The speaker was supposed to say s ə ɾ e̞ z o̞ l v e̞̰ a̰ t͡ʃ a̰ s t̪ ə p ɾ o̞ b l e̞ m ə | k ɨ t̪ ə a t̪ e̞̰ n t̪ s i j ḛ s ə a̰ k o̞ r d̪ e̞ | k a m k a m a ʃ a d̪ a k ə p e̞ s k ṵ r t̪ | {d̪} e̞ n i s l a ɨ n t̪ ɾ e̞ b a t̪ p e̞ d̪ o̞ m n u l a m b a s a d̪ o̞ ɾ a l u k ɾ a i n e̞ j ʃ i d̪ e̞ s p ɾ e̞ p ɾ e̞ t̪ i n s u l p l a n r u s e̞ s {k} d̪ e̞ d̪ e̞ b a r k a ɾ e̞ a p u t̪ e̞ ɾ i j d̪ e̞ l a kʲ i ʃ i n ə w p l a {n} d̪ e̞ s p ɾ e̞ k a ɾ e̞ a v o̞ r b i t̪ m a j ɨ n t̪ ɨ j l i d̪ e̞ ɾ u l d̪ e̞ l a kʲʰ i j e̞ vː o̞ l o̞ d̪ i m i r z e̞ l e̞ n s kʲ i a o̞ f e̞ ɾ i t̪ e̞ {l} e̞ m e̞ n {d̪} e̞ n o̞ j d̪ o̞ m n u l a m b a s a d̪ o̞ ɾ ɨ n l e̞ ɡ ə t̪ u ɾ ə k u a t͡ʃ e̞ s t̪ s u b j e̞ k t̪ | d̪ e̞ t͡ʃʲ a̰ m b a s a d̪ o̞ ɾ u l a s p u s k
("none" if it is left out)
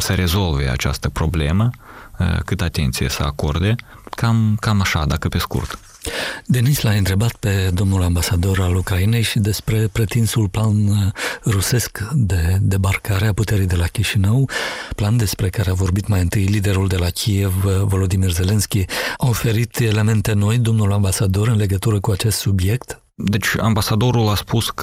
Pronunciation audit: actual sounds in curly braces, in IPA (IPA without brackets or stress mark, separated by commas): d̪, k, n, l, t̪